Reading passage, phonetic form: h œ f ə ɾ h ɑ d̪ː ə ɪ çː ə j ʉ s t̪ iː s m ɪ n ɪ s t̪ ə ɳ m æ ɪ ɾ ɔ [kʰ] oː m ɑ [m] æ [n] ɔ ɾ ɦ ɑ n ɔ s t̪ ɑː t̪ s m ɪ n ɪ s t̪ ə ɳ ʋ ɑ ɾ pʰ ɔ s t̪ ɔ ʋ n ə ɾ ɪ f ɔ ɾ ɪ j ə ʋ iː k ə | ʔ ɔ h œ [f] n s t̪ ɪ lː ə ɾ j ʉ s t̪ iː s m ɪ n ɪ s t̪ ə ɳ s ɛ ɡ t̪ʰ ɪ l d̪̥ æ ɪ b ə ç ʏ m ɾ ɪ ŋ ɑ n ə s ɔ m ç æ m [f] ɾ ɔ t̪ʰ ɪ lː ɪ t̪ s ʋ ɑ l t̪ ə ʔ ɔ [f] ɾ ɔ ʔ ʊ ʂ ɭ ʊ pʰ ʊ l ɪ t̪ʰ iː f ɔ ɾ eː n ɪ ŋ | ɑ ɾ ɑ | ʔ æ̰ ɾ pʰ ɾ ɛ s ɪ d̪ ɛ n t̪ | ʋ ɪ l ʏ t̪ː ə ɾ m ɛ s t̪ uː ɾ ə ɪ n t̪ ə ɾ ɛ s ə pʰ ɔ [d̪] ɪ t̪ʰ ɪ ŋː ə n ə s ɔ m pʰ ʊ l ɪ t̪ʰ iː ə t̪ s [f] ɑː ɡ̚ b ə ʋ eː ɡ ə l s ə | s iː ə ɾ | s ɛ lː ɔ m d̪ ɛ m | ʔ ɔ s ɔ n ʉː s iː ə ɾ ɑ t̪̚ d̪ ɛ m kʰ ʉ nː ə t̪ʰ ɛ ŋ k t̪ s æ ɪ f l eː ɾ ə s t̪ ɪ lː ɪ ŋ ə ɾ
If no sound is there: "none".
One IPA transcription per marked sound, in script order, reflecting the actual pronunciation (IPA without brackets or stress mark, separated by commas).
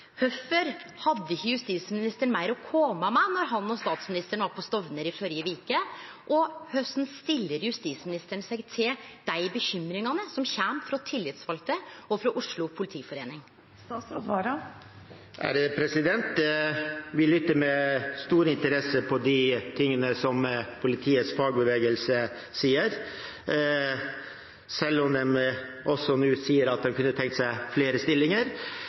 kʰ, m, n, s, f, f, d̪, f